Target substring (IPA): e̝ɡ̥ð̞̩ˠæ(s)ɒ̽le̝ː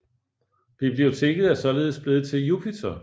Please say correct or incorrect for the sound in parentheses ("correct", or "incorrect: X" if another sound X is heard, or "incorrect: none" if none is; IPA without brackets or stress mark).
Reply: correct